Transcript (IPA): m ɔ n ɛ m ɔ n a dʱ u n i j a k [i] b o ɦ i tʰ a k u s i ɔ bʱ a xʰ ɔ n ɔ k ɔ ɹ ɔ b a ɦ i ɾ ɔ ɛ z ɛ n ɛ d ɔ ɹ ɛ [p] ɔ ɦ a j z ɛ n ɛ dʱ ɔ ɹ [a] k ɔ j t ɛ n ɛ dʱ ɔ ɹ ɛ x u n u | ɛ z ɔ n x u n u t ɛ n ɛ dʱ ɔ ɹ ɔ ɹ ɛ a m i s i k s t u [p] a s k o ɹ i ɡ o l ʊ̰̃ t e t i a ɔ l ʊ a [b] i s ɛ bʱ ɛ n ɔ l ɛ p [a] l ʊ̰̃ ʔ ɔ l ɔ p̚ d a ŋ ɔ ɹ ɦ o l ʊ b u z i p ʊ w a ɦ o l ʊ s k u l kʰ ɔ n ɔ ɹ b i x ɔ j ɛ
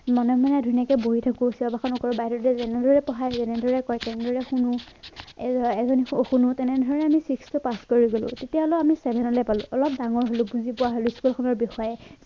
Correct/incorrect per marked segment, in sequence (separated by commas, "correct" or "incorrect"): incorrect, correct, incorrect, correct, incorrect, correct